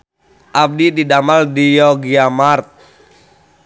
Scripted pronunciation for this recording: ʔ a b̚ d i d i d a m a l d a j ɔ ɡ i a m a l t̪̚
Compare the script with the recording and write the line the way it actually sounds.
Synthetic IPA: ʔ a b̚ d i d i d a m a l d i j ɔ ɡ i a m a r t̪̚